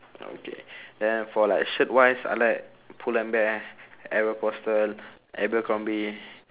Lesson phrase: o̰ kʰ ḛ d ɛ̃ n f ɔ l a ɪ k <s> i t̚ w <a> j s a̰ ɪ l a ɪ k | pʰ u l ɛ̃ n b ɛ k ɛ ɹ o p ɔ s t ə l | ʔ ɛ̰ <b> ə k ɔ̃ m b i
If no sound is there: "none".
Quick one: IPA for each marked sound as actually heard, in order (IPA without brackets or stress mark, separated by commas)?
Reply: ʃ, a, b